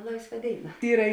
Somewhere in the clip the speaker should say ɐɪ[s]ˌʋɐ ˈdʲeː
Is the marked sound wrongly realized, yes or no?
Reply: no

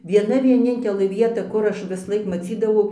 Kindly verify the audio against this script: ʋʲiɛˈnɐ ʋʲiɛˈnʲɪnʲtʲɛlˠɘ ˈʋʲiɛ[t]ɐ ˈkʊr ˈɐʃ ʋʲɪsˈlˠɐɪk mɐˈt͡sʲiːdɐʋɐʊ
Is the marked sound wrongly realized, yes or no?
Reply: no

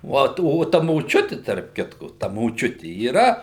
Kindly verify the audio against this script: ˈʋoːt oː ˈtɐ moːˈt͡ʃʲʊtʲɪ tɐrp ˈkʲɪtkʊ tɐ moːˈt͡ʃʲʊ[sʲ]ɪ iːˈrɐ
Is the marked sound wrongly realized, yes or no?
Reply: yes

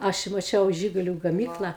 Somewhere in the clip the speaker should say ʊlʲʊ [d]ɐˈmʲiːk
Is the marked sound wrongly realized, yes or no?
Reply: yes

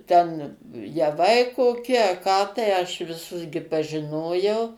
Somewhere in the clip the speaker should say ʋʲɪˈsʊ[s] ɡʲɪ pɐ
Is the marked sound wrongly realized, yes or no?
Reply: no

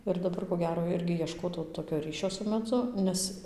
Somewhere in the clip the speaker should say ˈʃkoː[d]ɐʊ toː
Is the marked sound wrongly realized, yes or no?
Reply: yes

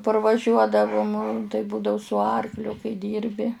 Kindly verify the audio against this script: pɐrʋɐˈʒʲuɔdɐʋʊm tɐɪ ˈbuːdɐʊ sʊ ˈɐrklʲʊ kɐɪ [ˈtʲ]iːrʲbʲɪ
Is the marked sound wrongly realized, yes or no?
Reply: yes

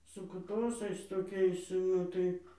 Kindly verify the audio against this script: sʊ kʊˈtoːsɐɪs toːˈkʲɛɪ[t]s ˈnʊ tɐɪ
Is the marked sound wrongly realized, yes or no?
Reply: yes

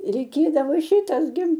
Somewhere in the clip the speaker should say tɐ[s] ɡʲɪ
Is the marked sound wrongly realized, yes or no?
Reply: no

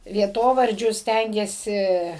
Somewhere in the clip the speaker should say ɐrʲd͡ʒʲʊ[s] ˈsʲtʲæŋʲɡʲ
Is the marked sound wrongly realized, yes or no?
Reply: no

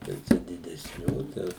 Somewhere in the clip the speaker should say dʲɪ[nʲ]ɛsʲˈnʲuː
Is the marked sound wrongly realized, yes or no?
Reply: yes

